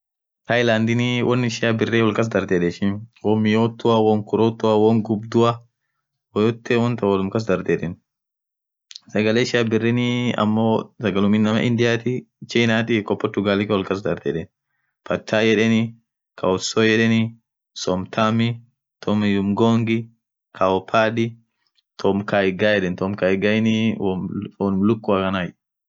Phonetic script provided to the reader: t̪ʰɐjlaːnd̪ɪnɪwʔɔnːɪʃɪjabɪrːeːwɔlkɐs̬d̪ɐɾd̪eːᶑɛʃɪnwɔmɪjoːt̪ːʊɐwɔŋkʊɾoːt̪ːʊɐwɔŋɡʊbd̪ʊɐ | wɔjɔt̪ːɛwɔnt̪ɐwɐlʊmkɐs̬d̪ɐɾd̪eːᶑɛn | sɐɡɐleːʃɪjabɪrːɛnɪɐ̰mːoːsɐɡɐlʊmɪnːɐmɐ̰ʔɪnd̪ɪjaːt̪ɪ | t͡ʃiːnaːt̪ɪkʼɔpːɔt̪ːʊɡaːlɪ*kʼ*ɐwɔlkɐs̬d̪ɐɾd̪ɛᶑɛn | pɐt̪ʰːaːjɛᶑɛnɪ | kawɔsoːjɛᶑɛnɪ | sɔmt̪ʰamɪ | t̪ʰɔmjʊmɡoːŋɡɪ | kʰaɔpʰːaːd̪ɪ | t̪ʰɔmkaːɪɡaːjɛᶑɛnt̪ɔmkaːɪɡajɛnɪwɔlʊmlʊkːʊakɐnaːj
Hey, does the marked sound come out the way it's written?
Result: no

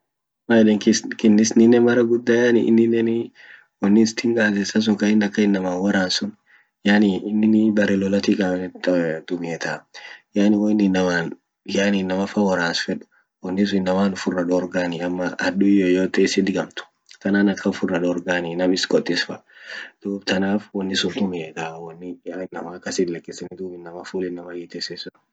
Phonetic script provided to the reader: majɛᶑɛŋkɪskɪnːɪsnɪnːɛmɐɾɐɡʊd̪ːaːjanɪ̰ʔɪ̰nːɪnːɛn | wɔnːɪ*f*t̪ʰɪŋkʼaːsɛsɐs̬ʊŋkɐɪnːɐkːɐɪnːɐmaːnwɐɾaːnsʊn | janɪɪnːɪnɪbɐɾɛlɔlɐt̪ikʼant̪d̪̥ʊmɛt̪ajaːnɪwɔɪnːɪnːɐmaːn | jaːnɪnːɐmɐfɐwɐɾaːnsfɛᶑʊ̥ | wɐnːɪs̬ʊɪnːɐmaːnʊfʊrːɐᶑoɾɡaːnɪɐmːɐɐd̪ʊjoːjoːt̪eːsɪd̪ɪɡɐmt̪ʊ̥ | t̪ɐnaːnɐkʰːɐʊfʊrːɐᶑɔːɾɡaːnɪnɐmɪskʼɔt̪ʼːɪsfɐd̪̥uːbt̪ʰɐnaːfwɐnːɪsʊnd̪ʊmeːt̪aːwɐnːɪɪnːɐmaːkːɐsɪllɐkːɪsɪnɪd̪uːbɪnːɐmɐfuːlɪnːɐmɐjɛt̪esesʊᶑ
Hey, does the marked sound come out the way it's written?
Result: no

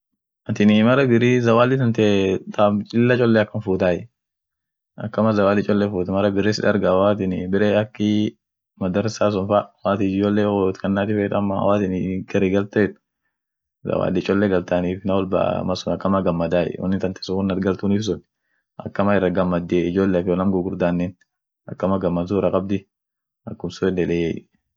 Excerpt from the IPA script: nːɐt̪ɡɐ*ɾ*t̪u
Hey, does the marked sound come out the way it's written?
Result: no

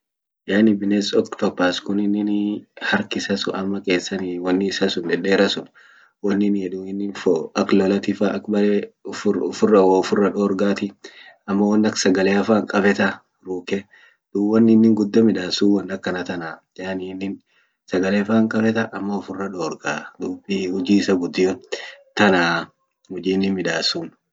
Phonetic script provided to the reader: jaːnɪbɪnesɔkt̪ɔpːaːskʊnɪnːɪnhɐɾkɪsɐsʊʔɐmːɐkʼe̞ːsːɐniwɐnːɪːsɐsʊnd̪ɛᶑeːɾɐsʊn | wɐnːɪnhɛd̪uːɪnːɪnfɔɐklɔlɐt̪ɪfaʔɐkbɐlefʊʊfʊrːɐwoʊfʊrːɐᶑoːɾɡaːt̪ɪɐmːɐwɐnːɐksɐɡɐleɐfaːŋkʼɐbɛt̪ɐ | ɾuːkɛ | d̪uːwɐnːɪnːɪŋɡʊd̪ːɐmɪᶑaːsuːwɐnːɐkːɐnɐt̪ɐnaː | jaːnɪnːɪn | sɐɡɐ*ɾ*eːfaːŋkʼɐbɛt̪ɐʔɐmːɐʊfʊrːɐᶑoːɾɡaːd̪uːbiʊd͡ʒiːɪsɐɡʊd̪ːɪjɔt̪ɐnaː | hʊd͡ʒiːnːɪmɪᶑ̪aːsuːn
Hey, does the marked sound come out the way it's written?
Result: no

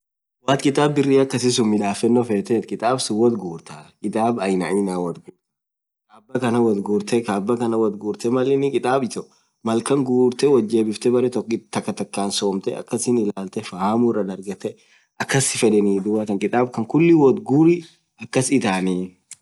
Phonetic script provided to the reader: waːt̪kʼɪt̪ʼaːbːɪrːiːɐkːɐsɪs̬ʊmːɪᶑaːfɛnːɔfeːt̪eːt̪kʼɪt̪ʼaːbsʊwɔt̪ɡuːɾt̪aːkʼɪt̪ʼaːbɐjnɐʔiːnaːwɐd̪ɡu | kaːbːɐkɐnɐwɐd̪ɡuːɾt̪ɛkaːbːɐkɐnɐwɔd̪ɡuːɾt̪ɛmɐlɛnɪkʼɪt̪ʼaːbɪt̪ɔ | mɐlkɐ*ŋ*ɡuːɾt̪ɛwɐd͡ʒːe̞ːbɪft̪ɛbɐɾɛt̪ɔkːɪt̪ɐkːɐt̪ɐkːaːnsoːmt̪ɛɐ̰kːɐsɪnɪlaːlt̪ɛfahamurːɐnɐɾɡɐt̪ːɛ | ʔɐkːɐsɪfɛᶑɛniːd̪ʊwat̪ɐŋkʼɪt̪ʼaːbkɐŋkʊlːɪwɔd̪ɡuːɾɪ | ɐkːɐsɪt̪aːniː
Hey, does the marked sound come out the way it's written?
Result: yes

